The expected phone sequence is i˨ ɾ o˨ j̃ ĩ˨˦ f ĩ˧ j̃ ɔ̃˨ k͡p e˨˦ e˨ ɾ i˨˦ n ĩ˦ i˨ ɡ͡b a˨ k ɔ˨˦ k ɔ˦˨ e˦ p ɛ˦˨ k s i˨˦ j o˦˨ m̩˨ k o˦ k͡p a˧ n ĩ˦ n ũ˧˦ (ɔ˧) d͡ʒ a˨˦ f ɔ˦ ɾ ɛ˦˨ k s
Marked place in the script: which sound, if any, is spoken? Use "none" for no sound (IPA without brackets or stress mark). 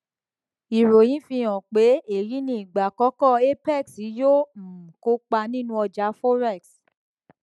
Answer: ɔ˧